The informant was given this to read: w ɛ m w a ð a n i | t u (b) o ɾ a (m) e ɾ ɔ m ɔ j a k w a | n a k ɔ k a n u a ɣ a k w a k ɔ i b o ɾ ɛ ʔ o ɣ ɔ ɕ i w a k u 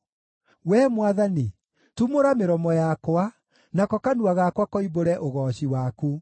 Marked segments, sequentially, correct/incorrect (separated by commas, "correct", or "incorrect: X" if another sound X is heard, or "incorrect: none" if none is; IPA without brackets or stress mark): incorrect: m, correct